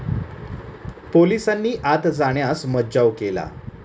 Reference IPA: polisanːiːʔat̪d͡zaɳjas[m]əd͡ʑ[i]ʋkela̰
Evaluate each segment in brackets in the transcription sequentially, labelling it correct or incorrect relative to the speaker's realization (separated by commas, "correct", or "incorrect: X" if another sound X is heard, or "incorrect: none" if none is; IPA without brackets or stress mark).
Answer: correct, incorrect: a